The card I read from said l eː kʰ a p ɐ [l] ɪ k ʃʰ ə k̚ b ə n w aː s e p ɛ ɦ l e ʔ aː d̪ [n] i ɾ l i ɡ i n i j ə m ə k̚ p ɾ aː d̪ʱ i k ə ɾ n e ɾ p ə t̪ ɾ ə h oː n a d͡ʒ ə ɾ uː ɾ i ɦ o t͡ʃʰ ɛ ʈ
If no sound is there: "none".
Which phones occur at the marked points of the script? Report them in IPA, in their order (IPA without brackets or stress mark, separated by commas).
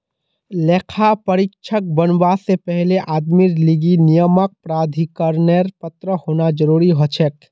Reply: ɾ, m